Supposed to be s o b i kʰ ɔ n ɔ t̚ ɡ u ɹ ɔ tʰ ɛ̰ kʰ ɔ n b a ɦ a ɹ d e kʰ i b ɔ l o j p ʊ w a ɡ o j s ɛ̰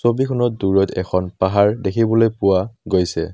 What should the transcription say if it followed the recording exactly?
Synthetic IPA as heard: s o b i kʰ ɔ n ɔ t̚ d u ɹ ɔ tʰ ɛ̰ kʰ ɔ n p a ɦ a ɹ d e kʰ i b ɔ l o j p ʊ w a ɡ o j s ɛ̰